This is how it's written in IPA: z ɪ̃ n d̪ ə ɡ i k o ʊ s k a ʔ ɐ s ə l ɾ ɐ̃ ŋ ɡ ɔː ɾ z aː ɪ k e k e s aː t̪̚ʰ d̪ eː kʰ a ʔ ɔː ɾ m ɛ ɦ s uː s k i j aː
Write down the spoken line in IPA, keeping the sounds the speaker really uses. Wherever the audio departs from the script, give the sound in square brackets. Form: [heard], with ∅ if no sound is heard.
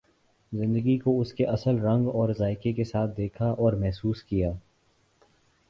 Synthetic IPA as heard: z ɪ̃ n d̪ ə ɡ i k o ʊ s k [e] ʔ ɐ s ə l ɾ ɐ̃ ŋ ɡ ɔː ɾ z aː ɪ k e k e s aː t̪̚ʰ d̪ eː kʰ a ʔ ɔː ɾ m ɛ ɦ s uː s k i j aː

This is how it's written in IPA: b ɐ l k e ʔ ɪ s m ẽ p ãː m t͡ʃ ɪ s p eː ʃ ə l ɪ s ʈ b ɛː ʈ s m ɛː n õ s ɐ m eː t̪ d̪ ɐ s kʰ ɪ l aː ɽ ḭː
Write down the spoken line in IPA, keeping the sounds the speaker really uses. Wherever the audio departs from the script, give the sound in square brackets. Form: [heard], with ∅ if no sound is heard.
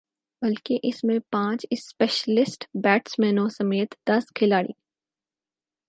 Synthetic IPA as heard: b ɐ l k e ʔ ɪ s m ẽ p ãː [∅] t͡ʃ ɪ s p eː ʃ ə l ɪ s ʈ b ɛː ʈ s m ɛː n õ s ɐ m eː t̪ d̪ ɐ s kʰ ɪ l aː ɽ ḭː

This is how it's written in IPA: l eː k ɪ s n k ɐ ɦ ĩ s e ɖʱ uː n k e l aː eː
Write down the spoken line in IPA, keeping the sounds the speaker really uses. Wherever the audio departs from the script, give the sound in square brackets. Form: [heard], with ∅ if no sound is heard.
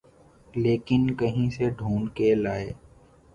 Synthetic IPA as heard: l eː k ɪ [∅] n k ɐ ɦ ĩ s e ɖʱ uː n k e l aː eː

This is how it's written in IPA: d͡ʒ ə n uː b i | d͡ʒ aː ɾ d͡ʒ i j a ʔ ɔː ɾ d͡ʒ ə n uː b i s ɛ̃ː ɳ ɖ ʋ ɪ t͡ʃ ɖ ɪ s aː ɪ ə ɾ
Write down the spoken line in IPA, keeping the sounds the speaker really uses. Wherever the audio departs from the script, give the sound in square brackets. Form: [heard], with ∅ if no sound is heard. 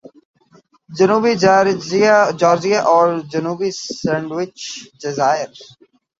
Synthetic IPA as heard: d͡ʒ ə n uː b i | d͡ʒ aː ɾ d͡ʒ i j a ʔ ɔː ɾ d͡ʒ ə n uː b i s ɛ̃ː ɳ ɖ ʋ ɪ t͡ʃ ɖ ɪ [z] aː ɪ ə ɾ

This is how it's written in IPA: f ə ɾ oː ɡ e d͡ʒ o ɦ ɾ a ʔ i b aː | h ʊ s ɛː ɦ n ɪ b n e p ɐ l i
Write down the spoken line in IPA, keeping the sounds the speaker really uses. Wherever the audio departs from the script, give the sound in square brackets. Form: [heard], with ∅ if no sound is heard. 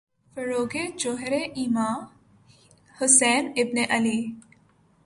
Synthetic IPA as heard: f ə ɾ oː ɡ e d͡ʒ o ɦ ɾ [e] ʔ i [m] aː | h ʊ s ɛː [∅] n ɪ b n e [ʔ] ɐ l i

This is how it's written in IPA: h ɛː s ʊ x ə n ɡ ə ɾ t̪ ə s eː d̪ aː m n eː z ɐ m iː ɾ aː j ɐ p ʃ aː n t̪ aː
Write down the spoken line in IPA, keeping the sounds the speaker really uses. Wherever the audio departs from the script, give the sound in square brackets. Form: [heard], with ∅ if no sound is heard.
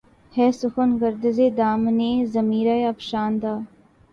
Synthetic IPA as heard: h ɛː s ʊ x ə n ɡ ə ɾ [d̪] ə [z] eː d̪ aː m n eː z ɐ m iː ɾ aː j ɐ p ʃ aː n [d̪] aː

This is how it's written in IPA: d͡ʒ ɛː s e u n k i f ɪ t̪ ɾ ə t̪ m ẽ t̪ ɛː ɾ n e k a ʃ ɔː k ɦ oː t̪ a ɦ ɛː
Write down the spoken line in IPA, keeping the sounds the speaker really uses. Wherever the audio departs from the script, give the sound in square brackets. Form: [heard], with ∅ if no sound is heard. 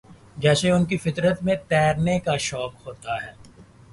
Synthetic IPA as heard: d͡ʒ ɛː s e [ʊ] n k i f ɪ t̪ ɾ ə t̪ m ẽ t̪ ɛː ɾ n e k a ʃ ɔː k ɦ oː t̪ a ɦ ɛː

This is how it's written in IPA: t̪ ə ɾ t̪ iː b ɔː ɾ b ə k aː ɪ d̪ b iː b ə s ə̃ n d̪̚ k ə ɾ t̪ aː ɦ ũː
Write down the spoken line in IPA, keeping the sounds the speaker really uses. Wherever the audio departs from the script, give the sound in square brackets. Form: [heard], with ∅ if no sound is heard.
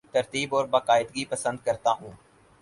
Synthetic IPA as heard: t̪ ə ɾ t̪ iː b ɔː ɾ b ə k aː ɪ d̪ [ɡ] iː [p] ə s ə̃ n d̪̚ k ə ɾ t̪ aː ɦ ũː

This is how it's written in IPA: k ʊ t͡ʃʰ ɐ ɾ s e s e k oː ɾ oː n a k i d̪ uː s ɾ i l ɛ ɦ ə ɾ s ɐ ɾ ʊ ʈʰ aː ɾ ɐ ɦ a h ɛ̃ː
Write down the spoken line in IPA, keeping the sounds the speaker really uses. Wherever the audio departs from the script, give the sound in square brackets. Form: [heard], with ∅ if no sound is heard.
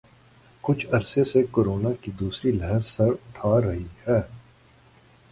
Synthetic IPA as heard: k ʊ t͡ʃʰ ɐ ɾ s e s e k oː ɾ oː n a k i d̪ uː s ɾ i l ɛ ɦ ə ɾ s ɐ ɾ ʊ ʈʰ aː ɾ ɐ ɦ [i] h [ɛː]

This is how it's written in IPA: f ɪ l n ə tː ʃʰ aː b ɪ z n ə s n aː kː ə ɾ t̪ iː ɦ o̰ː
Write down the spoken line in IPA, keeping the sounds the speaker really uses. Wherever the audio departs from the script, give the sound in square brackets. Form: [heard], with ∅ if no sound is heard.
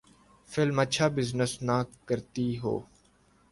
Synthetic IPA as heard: f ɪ l [m] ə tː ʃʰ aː b ɪ z n ə s n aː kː ə ɾ t̪ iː ɦ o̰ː

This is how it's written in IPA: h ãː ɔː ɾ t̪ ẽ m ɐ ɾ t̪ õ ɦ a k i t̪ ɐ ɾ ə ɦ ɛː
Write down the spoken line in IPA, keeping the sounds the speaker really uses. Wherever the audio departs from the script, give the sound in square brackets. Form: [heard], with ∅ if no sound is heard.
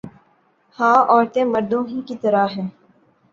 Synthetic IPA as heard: h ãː ɔː ɾ t̪ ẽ m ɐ ɾ [d̪] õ ɦ [i] k i t̪ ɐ ɾ [a] ɦ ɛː

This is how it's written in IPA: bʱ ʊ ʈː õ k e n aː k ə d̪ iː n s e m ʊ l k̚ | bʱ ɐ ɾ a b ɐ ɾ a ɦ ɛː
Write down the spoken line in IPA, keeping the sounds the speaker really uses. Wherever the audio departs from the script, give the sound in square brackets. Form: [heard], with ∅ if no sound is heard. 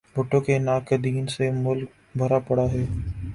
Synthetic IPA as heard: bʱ ʊ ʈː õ k e n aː k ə d̪ iː n s e m ʊ l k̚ | bʱ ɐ ɾ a [p] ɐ [ɽ] a ɦ ɛː

